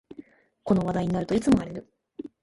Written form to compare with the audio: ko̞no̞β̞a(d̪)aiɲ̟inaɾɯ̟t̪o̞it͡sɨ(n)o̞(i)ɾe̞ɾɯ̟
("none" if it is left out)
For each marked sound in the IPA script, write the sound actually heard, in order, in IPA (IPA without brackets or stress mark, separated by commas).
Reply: d̪, m, a